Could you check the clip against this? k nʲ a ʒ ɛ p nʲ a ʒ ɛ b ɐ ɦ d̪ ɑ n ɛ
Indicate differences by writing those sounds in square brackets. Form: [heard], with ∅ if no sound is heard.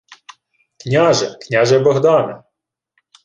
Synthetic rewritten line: k nʲ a ʒ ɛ [k] nʲ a ʒ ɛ b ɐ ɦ d̪ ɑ n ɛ

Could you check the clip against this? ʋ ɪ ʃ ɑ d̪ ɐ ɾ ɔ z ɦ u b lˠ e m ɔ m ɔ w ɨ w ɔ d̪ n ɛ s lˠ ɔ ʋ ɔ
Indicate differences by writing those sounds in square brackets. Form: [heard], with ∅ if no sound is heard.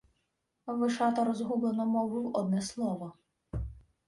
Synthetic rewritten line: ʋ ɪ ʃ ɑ [t̪] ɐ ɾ ɔ z ɦ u b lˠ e [n] ɔ m ɔ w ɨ w ɔ d̪ n ɛ s lˠ ɔ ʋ ɔ

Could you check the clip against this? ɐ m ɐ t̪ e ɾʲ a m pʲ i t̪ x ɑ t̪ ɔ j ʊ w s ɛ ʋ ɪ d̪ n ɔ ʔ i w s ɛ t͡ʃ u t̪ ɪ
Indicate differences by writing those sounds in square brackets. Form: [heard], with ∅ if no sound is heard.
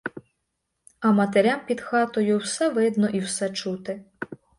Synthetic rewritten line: ɐ m ɐ t̪ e ɾʲ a m pʲ i [d̪] x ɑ t̪ ɔ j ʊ w s ɛ ʋ ɪ d̪ n ɔ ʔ i w s ɛ t͡ʃ u t̪ ɪ

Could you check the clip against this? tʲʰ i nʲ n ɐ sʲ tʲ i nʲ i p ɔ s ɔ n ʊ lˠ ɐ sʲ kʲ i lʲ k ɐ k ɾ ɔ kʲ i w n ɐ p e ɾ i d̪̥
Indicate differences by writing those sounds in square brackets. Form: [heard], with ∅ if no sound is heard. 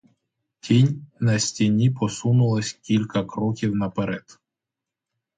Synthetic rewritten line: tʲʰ i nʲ n ɐ sʲ tʲ i nʲ i p ɔ s [u] n ʊ lˠ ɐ sʲ kʲ i lʲ k ɐ k ɾ ɔ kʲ i w n ɐ p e ɾ [ɛ] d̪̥

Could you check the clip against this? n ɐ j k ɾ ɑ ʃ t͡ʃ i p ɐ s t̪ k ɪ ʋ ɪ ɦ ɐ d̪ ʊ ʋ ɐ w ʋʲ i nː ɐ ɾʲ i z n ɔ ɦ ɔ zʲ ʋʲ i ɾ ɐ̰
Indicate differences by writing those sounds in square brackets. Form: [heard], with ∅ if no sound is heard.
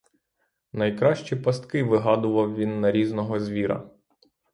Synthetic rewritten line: n ɐ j k ɾ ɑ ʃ t͡ʃ i p ɐ s t̪ k ɪ ʋ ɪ ɦ [ɑ] d̪ ʊ ʋ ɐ w ʋʲ i nː ɐ ɾʲ i z n ɔ ɦ ɔ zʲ ʋʲ i ɾ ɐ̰

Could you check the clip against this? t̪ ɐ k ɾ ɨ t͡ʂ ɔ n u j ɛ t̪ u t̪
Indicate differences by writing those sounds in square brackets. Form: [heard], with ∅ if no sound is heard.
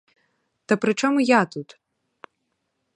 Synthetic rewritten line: t̪ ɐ [p] ɾ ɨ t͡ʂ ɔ [m] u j [a] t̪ u t̪

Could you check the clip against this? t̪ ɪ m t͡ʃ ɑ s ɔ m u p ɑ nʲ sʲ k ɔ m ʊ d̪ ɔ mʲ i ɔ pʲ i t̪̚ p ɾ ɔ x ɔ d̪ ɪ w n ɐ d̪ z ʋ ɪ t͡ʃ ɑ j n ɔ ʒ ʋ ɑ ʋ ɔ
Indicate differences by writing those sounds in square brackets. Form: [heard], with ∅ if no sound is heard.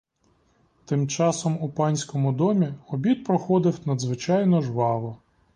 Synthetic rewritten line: t̪ ɪ m t͡ʃ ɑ s ɔ m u p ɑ nʲ sʲ k ɔ m ʊ d̪ ɔ mʲ i ɔ [bʲ] i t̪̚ p ɾ ɔ x ɔ d̪ ɪ w n ɐ d̪ z ʋ ɪ t͡ʃ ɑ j n ɔ ʒ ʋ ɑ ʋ ɔ

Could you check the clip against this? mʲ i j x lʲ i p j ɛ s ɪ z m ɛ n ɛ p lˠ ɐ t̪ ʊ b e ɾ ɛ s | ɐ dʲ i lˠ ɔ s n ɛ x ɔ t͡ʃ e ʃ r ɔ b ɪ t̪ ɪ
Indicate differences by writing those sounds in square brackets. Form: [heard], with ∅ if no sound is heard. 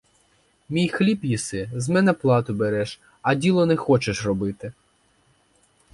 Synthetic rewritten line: mʲ i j x lʲ i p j [i] s ɪ z m ɛ n ɛ p lˠ [ɑ] t̪ ʊ b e ɾ ɛ [ʃ] | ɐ dʲ i lˠ ɔ [∅] n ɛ x ɔ t͡ʃ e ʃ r ɔ b ɪ t̪ ɪ

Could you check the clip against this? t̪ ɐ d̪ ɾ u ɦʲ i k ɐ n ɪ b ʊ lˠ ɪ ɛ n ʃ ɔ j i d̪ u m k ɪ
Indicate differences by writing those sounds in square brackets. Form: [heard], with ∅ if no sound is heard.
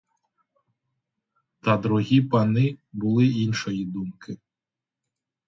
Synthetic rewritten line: t̪ ɐ d̪ ɾ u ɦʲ i [p] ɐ n ɪ b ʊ lˠ ɪ [i] n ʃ ɔ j i d̪ u m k ɪ

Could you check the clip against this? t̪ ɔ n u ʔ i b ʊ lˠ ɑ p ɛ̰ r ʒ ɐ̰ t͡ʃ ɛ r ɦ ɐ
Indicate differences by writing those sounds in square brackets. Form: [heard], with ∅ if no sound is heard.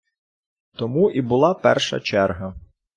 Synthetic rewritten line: t̪ ɔ [m] u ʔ i b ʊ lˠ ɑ p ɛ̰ r [ʃ] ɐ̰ t͡ʃ ɛ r ɦ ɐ

